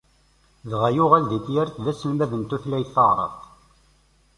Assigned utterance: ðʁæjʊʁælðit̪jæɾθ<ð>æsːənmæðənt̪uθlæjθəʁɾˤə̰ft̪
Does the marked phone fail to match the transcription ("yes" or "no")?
no